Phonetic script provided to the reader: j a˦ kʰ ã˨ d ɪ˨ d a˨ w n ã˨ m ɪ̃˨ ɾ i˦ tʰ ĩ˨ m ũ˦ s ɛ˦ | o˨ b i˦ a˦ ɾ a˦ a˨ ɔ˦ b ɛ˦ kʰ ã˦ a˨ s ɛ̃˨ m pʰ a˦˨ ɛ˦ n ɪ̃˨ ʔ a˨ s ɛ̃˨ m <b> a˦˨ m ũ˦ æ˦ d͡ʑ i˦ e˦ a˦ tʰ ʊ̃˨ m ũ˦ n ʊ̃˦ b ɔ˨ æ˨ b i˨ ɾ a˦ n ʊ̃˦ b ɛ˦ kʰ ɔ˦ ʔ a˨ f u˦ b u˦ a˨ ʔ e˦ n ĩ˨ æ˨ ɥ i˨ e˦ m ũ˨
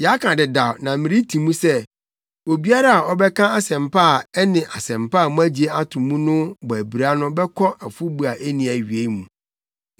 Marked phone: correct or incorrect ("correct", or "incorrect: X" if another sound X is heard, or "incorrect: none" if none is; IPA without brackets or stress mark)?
incorrect: p